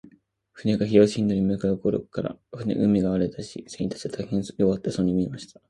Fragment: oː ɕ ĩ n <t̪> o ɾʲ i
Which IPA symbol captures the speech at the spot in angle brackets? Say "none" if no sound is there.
d̪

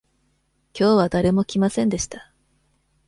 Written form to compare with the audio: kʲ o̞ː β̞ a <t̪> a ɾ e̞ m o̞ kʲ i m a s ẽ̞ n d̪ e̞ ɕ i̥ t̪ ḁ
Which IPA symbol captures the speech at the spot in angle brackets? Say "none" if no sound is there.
d̪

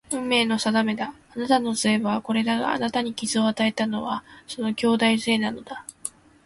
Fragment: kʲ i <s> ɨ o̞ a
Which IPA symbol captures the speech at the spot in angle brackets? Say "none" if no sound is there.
z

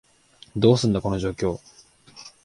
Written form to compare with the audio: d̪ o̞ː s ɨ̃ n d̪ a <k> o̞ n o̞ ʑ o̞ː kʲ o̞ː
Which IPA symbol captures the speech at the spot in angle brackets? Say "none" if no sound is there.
k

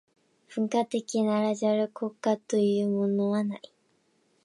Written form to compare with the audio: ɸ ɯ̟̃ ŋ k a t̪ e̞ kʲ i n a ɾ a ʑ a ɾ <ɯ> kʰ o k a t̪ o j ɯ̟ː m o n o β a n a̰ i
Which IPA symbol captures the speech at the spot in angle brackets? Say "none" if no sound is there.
ɯ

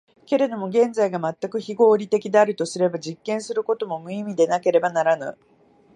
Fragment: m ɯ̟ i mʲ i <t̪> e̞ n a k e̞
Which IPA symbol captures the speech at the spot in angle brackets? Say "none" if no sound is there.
d̪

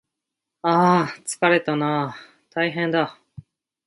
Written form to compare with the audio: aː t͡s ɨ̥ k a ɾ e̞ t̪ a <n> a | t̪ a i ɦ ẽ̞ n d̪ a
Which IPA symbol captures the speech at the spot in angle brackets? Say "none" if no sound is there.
n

